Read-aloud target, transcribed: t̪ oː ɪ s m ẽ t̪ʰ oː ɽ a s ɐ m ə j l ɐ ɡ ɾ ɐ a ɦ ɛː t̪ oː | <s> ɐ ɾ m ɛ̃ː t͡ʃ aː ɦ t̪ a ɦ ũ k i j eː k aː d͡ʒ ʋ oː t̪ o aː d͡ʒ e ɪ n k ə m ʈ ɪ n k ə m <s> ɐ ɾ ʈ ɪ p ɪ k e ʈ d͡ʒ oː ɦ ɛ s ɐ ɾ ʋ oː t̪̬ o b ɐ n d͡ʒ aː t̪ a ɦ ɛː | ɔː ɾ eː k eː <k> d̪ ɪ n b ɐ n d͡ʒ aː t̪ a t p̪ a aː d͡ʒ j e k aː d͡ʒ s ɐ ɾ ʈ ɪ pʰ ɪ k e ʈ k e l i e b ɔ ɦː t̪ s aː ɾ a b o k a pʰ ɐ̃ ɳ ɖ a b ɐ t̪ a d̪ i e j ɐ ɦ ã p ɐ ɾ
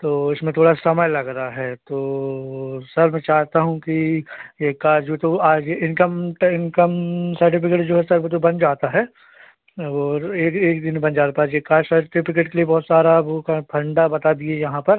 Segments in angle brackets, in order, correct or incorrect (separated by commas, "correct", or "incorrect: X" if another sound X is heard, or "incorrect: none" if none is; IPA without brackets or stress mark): correct, correct, correct